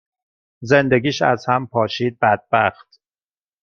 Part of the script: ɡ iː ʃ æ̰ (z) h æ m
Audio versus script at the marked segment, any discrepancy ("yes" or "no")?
no